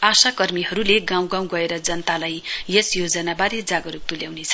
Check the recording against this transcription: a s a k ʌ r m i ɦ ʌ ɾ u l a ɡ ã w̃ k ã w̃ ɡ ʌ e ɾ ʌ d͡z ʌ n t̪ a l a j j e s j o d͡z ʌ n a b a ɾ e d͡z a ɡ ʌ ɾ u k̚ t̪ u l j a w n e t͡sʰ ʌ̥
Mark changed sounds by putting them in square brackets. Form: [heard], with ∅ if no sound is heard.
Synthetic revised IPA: a s a k ʌ r m i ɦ ʌ ɾ u l [e] ɡ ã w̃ [ɡ] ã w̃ ɡ ʌ e ɾ ʌ d͡z ʌ n t̪ a l a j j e s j o d͡z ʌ n a b a ɾ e d͡z a ɡ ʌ ɾ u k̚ t̪ u l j a w n e t͡sʰ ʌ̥